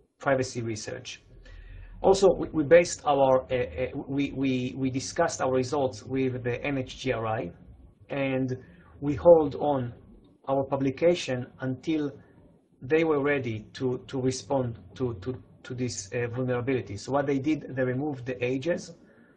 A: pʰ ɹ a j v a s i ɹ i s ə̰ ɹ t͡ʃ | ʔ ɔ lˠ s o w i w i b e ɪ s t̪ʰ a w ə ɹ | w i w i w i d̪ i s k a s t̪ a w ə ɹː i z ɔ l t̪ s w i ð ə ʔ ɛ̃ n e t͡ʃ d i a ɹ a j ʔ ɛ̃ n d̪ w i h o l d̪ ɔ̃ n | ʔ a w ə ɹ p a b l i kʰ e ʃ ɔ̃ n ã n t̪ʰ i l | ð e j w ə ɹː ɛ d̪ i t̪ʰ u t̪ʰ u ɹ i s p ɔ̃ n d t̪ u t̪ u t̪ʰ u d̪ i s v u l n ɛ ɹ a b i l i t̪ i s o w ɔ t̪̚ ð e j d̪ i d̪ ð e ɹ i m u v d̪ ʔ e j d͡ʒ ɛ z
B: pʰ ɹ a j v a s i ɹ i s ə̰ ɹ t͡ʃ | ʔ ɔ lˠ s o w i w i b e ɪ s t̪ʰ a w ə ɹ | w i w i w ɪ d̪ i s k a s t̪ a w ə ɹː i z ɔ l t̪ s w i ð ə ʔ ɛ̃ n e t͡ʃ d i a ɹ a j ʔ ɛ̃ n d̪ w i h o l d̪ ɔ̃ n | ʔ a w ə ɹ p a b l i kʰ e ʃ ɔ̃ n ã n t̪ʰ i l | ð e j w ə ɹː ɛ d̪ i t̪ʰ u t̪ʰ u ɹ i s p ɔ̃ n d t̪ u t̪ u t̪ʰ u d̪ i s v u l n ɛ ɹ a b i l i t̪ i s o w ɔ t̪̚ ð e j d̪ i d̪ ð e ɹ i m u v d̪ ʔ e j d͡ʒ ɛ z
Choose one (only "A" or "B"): A